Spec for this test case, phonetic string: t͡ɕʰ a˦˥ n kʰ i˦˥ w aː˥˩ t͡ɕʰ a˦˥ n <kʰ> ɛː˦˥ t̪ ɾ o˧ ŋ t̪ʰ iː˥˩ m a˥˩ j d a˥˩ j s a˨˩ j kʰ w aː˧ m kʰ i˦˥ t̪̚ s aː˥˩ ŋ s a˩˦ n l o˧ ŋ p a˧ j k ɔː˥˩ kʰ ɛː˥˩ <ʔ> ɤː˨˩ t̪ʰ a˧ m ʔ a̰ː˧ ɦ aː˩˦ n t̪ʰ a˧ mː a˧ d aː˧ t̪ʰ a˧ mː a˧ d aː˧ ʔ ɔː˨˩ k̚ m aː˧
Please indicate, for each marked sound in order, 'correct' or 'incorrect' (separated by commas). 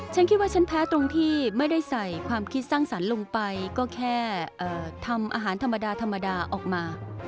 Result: incorrect, correct